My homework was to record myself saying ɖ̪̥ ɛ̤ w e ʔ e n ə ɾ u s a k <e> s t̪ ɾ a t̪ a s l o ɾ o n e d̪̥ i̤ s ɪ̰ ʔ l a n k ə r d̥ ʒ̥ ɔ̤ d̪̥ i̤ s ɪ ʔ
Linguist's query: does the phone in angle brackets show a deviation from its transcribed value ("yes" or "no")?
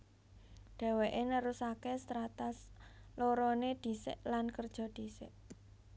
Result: no